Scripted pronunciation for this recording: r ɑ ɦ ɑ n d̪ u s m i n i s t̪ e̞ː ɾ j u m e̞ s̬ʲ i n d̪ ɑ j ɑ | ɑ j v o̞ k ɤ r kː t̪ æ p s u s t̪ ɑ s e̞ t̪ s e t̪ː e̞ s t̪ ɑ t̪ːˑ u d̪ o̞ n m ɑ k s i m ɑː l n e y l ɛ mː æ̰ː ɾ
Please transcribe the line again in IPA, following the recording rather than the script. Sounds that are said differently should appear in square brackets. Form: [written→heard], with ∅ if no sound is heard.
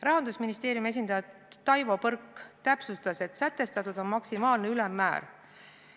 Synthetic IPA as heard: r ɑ ɦ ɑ n d̪ u s m i n i s t̪ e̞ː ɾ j u m e̞ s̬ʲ i n d̪ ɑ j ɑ | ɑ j v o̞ [k→p] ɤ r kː t̪ æ p s u s t̪ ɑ s e̞ t̪ s [e→æ] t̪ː e̞ s t̪ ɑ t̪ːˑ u d̪ o̞ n m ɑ k s i m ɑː l n e y l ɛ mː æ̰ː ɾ